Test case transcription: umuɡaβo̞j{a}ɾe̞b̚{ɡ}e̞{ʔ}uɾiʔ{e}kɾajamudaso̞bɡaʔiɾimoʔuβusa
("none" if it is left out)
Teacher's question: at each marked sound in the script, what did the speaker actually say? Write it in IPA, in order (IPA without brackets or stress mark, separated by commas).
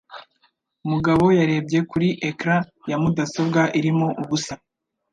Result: a, ɟ, k, e